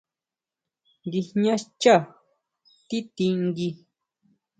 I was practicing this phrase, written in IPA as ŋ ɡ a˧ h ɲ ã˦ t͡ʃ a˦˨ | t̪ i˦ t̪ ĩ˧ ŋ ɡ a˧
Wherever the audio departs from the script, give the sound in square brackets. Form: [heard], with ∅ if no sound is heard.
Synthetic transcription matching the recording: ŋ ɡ [i˧] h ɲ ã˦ t͡ʃ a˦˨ | t̪ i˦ t̪ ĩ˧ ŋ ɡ [i˧]